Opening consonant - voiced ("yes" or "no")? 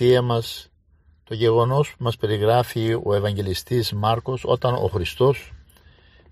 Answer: yes